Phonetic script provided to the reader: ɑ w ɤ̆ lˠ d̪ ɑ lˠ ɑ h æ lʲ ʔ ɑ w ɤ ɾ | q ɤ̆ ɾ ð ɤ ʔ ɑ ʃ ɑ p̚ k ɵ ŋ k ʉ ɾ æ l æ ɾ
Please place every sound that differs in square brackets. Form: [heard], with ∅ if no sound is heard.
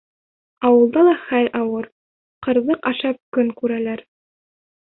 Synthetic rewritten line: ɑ w ɤ̆ lˠ d̪ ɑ lˠ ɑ [χ] æ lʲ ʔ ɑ w ɤ ɾ | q ɤ̆ ɾ ð ɤ [q] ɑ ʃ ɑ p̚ k ɵ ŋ k ʉ ɾ æ l æ ɾ

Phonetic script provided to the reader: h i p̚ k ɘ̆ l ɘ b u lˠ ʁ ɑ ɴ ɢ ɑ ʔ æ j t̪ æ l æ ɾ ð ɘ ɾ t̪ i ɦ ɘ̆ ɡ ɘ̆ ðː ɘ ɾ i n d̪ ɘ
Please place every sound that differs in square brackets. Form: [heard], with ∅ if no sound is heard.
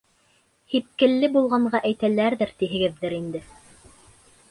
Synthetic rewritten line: h i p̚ k ɘ̆ [lː] ɘ b u lˠ ʁ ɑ ɴ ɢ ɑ ʔ æ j t̪ æ l æ ɾ ð ɘ ɾ t̪ i ɦ ɘ̆ ɡ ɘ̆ ðː ɘ ɾ i n d̪ ɘ

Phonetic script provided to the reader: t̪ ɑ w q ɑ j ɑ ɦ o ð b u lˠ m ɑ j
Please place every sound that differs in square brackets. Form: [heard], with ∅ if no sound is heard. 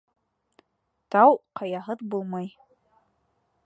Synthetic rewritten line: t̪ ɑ w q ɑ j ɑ ɦ [ɤ] ð b u lˠ m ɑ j

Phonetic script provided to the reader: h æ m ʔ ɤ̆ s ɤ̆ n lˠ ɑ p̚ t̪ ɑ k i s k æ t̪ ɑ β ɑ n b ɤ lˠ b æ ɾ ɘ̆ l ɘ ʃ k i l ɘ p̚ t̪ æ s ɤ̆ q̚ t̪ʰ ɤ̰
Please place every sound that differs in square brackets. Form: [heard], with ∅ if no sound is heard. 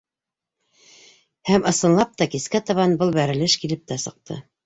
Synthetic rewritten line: h æ m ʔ ɤ̆ s ɤ̆ n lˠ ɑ p̚ t̪ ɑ k i s k æ t̪ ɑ β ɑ n b ɤ lˠ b æ ɾ ɘ̆ l ɘ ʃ k i l ɘ p̚ t̪ æ s ɤ̆ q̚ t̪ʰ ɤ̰

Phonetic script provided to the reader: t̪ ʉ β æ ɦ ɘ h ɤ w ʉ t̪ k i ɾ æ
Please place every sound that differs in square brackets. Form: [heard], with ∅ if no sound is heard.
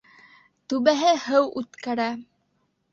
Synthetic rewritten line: t̪ ʉ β æ ɦ ɘ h ɤ w ʉ t̪ k [æ] ɾ æ

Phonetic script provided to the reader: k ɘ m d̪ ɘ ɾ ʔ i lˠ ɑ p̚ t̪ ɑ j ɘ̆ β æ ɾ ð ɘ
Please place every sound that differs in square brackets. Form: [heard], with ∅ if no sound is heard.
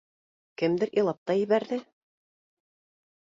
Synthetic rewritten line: k ɘ m d̪ ɘ ɾ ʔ i lˠ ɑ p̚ t̪ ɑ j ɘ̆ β æ ɾ ð ɘ

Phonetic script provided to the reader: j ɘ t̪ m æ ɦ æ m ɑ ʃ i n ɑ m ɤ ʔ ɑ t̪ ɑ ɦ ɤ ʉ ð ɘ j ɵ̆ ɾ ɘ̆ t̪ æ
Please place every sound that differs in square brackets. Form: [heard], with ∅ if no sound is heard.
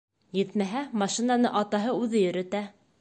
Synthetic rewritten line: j ɘ t̪ m æ ɦ æ m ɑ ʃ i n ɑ [n] ɤ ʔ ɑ t̪ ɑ ɦ ɤ ʉ ð ɘ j ɵ̆ ɾ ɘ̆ t̪ æ

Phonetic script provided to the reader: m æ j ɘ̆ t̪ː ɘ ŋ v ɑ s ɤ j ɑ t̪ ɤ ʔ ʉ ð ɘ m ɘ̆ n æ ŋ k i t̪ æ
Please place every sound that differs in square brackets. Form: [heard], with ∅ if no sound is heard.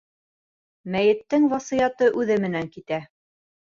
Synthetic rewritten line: m æ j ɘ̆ t̪ː ɘ ŋ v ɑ s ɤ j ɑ t̪ ɤ ʔ ʉ ð ɘ m ɘ̆ n æ ŋ k i t̪ æ

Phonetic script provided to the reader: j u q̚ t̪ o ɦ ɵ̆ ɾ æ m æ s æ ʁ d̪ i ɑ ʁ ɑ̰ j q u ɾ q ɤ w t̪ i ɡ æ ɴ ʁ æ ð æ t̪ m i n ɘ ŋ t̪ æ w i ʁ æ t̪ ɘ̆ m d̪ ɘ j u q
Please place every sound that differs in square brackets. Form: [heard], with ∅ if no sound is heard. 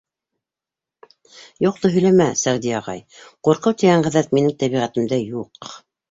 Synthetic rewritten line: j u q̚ t̪ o ɦ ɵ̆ [l] æ m æ s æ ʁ d̪ i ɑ ʁ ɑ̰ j q u ɾ q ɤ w t̪ i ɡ æ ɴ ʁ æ ð æ t̪ m i n ɘ ŋ t̪ æ [β] i ʁ æ t̪ ɘ̆ m d̪ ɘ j u q

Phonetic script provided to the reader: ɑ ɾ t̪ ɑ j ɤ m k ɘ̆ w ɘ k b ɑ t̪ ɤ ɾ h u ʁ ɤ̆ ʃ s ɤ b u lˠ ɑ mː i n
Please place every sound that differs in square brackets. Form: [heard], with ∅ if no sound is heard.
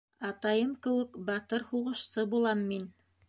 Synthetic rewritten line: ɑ [∅] t̪ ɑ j ɤ m k ɘ̆ w ɘ k b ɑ t̪ ɤ ɾ h u ʁ ɤ̆ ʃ s ɤ b u lˠ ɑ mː i n

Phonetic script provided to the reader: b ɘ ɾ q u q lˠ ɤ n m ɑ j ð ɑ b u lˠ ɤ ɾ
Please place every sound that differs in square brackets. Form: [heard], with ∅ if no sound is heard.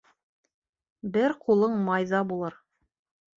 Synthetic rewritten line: b ɘ ɾ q u [∅] lˠ ɤ [ɴ] m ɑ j ð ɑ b u lˠ ɤ ɾ

